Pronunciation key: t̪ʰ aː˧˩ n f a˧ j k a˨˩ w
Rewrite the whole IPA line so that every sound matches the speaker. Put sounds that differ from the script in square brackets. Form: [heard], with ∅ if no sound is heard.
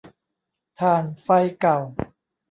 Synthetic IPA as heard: t̪ʰ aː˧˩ n f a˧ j k a˨˩ w